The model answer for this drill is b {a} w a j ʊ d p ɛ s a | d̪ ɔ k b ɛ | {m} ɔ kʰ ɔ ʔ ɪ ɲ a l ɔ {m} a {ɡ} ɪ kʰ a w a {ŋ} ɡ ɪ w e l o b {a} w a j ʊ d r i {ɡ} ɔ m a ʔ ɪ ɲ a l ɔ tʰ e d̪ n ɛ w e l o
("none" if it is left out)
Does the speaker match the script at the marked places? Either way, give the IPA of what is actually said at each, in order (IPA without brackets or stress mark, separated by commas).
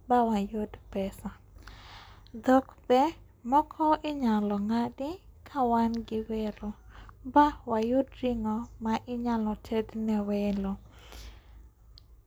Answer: a, m, ŋ, d, n, a, ŋ